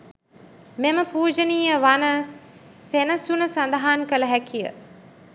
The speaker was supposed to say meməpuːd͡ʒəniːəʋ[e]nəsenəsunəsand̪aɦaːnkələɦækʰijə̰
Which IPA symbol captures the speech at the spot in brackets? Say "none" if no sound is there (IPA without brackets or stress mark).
a